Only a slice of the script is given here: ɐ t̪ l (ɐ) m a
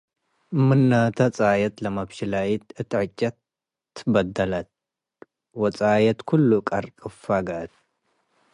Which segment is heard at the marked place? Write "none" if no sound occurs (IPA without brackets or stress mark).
ɐ